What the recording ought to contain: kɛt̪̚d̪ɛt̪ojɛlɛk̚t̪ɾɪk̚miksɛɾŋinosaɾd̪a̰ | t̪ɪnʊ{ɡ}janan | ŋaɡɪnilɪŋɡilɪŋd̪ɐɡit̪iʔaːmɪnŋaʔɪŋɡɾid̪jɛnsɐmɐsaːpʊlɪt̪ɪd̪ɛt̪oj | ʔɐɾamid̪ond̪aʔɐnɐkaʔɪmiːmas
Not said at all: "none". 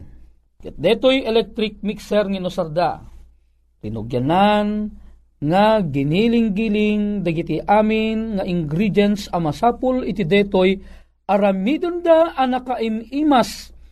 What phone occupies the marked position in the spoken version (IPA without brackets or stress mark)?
ɡ